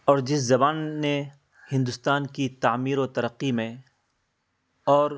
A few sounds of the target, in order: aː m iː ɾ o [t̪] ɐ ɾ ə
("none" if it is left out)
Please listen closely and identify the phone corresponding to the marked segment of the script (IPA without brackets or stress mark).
t̪